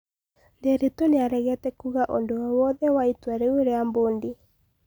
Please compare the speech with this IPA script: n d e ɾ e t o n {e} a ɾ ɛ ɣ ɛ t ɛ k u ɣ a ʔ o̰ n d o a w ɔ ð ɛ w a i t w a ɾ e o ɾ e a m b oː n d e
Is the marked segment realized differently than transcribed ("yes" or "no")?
no